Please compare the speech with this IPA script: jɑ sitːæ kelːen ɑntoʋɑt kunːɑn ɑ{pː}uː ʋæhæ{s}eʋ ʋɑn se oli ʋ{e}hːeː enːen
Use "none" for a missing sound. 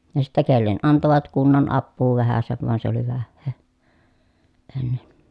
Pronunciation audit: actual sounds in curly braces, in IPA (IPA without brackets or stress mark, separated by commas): pː, s, æ